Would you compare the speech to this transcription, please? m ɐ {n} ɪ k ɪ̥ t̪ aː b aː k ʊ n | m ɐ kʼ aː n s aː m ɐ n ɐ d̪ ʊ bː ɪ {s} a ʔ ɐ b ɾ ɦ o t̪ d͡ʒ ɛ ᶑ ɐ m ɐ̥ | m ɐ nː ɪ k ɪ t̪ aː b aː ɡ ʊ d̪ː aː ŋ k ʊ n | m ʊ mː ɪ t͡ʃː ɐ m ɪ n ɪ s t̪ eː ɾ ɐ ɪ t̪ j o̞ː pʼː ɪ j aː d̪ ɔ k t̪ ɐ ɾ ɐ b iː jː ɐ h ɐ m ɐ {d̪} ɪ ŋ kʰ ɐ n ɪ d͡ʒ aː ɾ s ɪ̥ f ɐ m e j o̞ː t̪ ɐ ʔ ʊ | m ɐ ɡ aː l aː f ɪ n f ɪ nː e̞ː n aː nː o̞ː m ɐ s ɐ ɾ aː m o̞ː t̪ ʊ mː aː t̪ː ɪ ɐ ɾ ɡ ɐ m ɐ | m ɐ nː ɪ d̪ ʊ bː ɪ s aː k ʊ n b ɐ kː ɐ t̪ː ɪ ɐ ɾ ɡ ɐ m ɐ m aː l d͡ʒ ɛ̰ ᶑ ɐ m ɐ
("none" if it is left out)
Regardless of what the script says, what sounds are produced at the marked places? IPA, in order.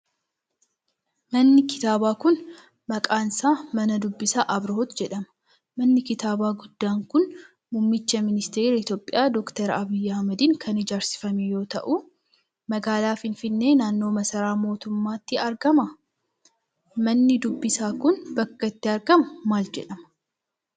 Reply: nː, s, d̪

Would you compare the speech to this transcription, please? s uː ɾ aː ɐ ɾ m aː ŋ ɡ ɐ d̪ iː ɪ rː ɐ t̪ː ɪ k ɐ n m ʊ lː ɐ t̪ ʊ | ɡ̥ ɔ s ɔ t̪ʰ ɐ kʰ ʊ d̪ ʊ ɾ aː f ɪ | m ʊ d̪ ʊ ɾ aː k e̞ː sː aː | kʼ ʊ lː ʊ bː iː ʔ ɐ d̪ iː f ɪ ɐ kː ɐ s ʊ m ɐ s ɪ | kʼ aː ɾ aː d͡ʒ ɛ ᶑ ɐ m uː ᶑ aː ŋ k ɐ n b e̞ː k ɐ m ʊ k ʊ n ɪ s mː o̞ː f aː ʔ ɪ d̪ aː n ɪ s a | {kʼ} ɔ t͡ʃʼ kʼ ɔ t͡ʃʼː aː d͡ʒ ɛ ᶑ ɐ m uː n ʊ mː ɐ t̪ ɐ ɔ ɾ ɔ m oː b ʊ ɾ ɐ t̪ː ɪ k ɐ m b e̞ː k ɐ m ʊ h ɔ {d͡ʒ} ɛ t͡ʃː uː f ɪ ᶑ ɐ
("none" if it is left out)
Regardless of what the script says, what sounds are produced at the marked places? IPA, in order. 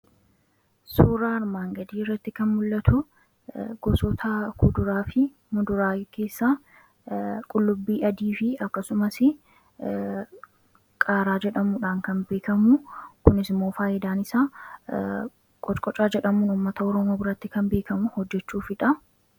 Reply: kʼ, d͡ʒː

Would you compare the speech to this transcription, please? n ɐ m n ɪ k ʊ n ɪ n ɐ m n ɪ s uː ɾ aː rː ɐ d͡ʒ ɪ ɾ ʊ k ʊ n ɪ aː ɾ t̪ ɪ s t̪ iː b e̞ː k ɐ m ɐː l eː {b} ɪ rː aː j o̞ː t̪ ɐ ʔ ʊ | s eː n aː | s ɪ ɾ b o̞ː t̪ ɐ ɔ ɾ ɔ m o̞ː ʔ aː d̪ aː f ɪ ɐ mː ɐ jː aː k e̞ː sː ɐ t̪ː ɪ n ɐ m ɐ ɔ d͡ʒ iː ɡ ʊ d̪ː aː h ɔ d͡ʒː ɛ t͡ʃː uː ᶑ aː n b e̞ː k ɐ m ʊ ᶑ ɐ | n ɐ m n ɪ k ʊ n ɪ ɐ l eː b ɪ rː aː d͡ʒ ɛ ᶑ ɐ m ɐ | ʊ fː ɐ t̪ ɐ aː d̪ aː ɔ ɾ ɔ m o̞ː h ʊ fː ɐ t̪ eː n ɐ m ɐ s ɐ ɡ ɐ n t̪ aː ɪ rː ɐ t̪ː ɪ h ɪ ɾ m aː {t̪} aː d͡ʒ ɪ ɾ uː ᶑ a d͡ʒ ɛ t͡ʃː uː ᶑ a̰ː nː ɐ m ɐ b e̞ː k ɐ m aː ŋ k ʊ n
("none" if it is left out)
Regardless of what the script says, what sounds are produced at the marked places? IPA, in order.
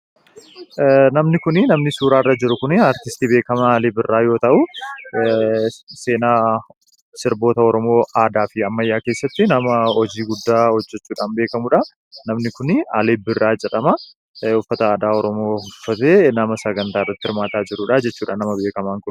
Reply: b, t̪

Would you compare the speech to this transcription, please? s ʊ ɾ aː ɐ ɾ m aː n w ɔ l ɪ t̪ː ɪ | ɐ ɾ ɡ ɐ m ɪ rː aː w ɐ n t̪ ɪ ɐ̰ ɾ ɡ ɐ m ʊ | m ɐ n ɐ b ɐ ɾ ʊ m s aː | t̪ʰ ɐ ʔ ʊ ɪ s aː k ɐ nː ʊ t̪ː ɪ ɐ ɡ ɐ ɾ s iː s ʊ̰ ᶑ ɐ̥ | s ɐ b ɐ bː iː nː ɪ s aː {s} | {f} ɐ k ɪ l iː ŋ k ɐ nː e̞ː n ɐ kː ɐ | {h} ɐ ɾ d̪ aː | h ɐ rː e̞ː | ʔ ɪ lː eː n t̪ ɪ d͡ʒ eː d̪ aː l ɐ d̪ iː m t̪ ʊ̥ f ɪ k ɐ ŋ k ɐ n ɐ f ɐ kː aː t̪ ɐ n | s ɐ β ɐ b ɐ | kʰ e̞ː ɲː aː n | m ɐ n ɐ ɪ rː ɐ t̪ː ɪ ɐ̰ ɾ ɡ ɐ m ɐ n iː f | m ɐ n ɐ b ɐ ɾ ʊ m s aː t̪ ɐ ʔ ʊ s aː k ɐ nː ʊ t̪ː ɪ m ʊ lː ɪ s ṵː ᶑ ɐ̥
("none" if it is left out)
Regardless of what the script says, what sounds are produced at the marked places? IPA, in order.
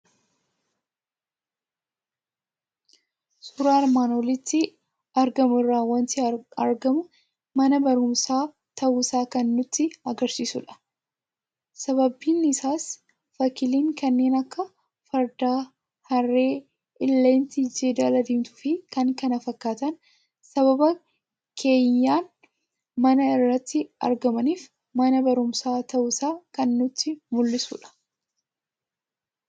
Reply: s, f, f

